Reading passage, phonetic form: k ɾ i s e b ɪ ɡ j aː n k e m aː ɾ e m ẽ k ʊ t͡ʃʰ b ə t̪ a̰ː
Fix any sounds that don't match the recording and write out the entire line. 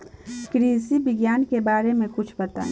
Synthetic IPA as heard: k ɾ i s i b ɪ ɡ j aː n k e b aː ɾ e m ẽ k ʊ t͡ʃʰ b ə t̪ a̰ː